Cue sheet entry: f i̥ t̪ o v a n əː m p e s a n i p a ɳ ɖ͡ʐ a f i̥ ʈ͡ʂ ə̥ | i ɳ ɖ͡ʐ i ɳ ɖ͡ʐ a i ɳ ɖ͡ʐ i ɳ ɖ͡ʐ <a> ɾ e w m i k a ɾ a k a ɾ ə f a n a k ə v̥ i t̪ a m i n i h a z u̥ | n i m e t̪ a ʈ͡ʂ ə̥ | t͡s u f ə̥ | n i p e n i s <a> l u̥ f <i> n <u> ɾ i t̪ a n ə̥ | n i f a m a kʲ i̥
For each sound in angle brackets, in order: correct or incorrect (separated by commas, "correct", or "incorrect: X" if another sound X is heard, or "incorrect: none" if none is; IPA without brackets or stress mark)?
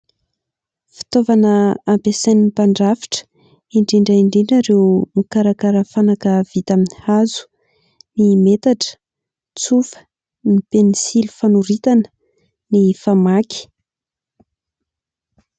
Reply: correct, incorrect: i, incorrect: a, correct